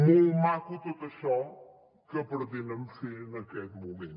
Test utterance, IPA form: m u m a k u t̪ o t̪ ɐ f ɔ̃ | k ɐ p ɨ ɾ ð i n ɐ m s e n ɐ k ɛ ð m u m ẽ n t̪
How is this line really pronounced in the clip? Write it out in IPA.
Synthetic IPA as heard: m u m a k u t̪ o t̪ ɐ ʃ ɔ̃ | k ɐ p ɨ ɾ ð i n ɐ m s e n ɐ k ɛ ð m u m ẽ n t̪